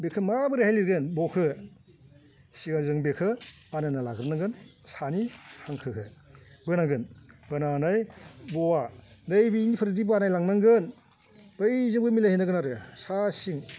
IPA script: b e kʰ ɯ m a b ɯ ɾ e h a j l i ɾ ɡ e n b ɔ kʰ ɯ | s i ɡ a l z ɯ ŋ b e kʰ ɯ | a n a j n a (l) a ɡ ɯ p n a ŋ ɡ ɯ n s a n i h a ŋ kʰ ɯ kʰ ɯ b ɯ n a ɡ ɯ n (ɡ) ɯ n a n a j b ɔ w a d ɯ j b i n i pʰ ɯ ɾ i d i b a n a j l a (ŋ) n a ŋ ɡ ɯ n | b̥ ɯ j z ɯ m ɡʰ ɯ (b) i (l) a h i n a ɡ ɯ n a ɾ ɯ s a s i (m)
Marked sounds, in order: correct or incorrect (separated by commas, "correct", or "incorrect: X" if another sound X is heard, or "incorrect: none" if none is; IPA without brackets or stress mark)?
correct, incorrect: b, correct, incorrect: m, correct, incorrect: ŋ